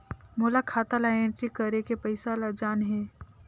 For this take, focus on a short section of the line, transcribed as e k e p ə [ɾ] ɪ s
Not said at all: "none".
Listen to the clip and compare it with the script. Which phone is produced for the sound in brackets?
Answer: none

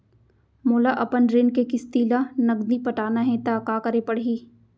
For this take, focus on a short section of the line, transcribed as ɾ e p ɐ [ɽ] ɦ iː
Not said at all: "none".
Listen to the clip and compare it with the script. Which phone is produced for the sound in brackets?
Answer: ɽ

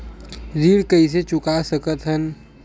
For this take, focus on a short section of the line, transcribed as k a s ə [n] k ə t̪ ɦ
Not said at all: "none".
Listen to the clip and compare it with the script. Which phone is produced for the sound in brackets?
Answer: none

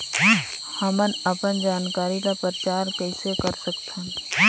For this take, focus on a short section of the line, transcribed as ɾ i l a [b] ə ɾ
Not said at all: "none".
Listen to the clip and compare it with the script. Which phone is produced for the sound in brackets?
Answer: p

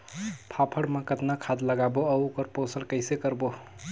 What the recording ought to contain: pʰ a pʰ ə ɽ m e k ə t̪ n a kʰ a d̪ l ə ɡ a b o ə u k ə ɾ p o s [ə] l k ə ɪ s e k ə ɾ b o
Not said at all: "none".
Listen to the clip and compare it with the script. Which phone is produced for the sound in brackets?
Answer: ə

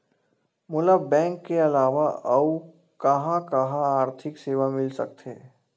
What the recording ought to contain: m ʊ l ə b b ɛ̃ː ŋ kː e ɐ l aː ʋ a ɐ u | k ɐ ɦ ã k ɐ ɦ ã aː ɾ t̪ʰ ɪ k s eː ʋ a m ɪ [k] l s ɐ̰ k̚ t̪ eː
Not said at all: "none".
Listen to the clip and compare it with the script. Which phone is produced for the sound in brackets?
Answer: none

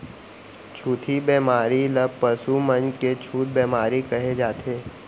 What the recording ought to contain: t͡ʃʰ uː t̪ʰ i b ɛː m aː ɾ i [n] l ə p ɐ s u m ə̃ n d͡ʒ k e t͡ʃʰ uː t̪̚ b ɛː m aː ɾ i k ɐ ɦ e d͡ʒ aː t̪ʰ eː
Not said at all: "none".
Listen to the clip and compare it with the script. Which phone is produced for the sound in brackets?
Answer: none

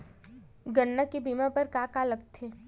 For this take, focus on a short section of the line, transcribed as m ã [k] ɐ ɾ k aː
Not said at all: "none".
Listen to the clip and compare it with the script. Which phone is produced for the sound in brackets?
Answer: p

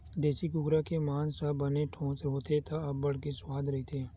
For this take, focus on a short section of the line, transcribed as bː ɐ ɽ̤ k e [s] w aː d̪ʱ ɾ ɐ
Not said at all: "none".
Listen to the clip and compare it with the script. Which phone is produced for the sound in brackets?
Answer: s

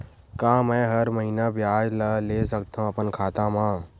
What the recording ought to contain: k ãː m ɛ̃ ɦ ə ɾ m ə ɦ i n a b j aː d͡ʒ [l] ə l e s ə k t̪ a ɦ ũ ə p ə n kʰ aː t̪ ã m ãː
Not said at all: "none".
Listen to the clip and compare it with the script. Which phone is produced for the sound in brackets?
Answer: l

